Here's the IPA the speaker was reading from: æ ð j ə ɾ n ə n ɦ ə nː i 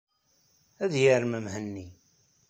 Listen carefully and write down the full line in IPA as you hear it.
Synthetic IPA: æ ð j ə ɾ m ə m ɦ ə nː i